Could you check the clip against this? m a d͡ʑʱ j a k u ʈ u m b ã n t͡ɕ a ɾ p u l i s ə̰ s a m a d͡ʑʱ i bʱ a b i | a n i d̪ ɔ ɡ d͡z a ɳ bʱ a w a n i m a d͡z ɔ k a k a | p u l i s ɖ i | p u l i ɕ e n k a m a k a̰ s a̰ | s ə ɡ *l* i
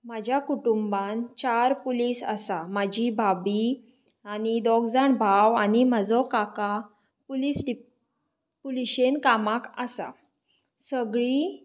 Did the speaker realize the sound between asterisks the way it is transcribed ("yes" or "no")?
no